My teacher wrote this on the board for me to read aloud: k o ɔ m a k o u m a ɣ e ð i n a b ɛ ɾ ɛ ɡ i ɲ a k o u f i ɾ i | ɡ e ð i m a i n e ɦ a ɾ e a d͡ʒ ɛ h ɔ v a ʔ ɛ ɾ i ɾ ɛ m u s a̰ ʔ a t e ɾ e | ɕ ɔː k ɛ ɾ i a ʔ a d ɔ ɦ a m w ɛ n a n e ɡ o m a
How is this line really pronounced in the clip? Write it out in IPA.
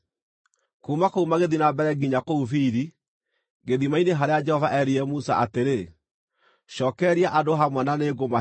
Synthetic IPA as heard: k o u m a k o u m a ɣ e ð i n a b ɛ ɾ ɛ ɡ i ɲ a k o u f i ɾ i | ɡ e ð i m a i n e ɦ a ɾ e a d͡ʒ ɛ h ɔ v a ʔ ɛ ɾ i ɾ ɛ m u s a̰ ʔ a t e ɾ e | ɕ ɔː k ɛ ɾ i a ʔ a d o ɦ a m w ɛ n a n e ɡ o m a